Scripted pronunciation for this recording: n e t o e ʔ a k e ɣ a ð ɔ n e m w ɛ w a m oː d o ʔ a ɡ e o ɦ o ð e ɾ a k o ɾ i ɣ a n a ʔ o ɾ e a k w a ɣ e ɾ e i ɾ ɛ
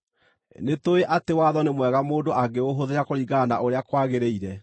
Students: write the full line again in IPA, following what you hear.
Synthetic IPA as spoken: n e t o e ʔ a t e w a ð ɔ n e m w ɛ ɣ a m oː d o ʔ a ɡ e o ɦ o ð e ɾ a k o ɾ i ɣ a n a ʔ o ɾ e a k w a ɣ e ɾ e i ɾ ɛ